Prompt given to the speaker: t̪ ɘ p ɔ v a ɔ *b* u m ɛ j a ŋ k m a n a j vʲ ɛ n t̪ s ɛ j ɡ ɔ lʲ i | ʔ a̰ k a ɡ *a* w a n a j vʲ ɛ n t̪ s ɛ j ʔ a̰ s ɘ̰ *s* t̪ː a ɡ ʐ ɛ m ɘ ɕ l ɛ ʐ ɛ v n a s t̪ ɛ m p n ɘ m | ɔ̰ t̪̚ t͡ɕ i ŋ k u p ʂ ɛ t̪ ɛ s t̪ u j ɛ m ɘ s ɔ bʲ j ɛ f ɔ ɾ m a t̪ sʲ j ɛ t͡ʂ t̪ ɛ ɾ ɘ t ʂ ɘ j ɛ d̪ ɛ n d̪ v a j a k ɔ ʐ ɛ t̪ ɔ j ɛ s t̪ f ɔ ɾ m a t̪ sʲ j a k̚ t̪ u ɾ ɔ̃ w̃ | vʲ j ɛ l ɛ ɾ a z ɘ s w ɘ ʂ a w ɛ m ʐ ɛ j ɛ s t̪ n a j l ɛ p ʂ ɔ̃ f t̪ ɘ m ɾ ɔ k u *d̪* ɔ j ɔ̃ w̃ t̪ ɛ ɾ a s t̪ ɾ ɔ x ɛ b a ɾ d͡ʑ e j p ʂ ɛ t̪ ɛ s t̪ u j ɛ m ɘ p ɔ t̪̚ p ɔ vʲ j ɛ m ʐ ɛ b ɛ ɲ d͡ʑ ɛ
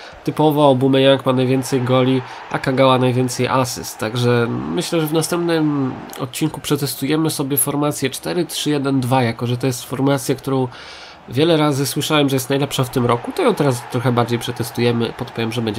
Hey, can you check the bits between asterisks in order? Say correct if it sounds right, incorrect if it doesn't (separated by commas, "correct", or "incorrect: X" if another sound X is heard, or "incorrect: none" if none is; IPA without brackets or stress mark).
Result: correct, correct, correct, incorrect: t̪